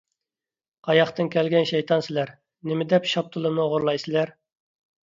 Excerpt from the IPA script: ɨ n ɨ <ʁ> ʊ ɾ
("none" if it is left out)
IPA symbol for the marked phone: ʁ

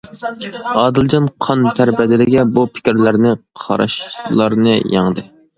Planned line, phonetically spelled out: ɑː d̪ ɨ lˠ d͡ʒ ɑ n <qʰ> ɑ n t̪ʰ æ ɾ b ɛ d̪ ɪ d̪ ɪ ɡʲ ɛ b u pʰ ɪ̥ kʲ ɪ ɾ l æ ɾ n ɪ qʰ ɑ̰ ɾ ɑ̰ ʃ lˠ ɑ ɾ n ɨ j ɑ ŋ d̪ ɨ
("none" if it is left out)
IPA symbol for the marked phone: qʰ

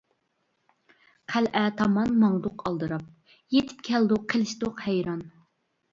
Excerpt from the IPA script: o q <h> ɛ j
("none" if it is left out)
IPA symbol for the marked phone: h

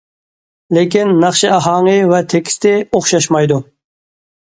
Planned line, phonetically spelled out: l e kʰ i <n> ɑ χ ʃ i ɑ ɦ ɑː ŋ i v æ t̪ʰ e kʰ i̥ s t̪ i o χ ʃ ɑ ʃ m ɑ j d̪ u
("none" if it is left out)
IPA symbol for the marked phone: nː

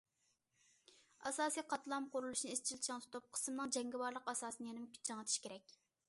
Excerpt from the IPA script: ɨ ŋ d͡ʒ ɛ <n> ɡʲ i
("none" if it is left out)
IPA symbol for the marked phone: ŋ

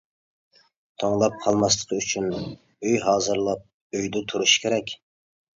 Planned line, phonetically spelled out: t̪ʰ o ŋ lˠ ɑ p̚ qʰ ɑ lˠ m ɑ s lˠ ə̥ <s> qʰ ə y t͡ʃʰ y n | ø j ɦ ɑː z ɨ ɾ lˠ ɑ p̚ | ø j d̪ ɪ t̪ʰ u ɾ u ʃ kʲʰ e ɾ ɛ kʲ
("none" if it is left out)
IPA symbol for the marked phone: none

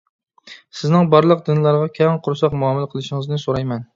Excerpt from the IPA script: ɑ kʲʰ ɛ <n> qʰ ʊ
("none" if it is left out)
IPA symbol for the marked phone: ŋ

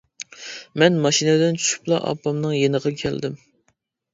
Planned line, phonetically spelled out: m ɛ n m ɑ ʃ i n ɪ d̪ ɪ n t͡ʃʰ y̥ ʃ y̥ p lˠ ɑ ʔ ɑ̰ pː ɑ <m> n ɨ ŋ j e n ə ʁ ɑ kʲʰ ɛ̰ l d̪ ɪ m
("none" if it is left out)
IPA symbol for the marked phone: m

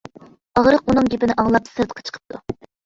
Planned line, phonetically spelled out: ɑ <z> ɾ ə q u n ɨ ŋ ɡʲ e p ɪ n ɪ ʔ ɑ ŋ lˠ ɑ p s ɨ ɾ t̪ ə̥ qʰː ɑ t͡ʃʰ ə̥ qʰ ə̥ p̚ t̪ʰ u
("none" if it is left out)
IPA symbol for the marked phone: ʁ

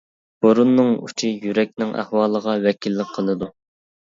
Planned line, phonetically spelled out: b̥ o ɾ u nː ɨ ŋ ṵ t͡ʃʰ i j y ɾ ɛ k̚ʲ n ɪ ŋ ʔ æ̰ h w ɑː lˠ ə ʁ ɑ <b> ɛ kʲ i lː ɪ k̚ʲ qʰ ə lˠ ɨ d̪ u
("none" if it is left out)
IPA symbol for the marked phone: w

